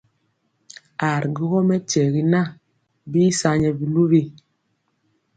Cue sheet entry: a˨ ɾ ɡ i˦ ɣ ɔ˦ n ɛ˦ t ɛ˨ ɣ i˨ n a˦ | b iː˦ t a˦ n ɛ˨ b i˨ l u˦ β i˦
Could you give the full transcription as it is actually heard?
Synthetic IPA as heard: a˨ ɾ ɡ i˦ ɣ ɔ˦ m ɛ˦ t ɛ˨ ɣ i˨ n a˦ | b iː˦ s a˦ ɲ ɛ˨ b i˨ l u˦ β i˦

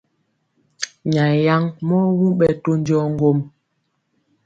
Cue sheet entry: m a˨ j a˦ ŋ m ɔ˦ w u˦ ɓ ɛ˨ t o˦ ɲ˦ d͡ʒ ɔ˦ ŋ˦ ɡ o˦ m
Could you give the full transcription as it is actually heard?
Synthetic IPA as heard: ɲ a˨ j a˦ ŋ m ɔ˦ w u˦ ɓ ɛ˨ t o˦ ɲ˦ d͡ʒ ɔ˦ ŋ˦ ɡ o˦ m

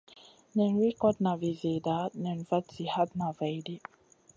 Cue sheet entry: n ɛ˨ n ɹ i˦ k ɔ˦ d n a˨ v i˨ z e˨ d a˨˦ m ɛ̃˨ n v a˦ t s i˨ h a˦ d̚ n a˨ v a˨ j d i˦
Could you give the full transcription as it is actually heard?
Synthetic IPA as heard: n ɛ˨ n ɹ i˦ k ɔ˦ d n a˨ v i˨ z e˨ d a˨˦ n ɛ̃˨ n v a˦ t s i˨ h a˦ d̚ n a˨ v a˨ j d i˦

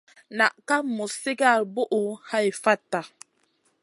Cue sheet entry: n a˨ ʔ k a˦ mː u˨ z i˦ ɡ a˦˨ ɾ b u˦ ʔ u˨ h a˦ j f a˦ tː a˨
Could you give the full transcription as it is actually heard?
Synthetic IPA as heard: n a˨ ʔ k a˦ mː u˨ s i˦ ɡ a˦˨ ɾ b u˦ ʔ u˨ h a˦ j f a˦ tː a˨

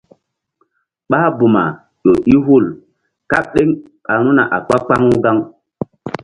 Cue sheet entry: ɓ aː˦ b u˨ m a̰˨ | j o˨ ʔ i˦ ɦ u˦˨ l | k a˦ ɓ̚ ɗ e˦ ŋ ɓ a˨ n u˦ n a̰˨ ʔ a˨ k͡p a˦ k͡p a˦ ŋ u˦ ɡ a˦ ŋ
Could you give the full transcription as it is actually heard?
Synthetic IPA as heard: ɓ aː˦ b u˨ m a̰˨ | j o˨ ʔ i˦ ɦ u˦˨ l | k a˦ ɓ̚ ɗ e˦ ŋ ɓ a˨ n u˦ n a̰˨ ʔ a˨ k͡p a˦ k͡p a˦ ŋ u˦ ɡ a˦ ŋ

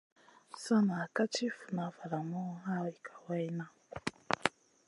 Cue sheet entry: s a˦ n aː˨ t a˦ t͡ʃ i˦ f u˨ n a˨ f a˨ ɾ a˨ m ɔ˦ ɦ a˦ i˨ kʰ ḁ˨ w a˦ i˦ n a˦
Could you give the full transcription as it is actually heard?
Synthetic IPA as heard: s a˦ n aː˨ k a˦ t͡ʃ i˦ f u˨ n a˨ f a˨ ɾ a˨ m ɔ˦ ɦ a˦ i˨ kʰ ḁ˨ w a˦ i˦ n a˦

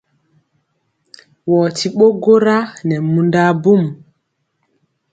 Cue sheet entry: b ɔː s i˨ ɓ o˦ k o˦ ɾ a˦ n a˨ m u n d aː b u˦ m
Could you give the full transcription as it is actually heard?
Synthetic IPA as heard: w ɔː t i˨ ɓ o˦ ɡ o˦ ɾ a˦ n ɛ˨ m u n d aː b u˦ m

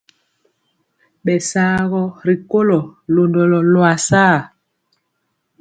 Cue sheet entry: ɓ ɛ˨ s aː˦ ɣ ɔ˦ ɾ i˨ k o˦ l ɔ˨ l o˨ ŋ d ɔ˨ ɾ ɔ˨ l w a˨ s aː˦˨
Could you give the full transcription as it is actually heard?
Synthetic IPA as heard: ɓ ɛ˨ s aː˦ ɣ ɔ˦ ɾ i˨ k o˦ l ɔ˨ l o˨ n d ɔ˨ l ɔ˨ l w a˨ s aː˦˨

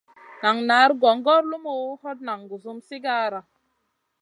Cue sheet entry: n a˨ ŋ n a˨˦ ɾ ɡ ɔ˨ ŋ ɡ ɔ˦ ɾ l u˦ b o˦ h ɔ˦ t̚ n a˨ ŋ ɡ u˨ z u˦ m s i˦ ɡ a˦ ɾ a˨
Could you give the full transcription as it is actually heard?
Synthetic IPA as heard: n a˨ ŋ n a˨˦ ɾ ɡ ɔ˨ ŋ ɡ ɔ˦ ɾ l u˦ m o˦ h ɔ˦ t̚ n a˨ ŋ ɡ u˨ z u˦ m s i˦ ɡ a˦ ɾ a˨

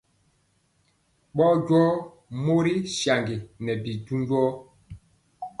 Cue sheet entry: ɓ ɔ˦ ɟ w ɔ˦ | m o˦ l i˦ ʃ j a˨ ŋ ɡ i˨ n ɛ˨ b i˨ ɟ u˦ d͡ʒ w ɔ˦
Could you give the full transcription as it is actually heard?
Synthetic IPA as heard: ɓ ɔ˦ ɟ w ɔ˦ | m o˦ ɾ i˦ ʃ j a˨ ŋ ɡ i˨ n ɛ˨ b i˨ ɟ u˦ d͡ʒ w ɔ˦

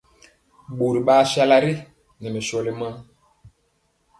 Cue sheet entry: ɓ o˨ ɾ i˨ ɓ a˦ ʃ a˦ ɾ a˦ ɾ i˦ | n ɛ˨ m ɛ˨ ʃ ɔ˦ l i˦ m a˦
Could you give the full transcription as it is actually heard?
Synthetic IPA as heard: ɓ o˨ ɾ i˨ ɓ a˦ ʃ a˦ l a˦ ɾ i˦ | n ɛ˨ m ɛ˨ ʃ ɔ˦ l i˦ m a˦

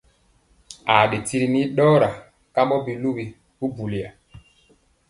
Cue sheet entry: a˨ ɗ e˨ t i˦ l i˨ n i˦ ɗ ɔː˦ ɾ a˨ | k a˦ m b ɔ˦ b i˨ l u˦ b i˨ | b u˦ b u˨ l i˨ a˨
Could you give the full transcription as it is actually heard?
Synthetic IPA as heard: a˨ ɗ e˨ t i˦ ɾ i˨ n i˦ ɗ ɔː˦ ɾ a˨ | k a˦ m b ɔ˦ b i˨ l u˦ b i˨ | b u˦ b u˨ l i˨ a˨

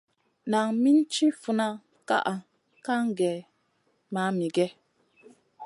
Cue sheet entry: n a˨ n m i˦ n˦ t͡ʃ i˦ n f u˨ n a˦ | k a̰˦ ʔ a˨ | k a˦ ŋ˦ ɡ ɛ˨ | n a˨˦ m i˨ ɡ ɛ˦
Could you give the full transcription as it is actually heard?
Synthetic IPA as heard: n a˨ ŋ m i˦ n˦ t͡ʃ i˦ f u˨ n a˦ | k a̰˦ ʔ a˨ | k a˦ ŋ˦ ɡ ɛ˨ | m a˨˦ m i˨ ɡ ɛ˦

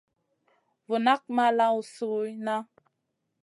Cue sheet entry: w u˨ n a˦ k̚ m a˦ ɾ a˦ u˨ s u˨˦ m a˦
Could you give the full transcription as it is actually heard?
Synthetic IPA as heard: v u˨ n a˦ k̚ m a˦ l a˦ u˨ s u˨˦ n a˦

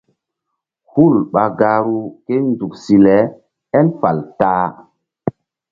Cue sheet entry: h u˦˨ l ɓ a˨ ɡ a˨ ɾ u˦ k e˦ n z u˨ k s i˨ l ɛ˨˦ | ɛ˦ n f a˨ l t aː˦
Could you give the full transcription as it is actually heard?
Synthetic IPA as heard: h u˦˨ l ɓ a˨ ɡ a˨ ɾ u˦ k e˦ n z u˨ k s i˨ l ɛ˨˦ | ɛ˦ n f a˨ l t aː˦

